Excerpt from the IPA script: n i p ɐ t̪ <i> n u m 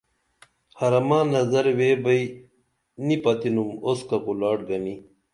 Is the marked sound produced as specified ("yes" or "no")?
yes